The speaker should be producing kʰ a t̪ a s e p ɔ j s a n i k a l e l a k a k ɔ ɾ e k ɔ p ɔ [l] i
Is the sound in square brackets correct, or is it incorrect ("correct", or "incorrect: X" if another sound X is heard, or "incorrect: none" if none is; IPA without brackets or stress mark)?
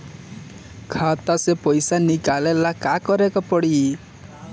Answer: incorrect: ɽ